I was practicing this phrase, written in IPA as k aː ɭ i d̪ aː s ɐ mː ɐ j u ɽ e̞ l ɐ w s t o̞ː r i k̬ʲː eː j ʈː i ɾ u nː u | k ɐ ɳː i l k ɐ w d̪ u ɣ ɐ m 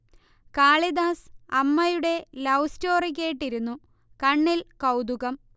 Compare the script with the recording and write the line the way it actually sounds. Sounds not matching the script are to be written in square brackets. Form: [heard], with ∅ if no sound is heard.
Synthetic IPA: k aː ɭ i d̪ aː s ɐ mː ɐ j u ɽ e̞ l ɐ w s t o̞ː r i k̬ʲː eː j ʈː i ɾ u nː u | k ɐ ɳː i l k ɐ w d̪ u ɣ ɐ m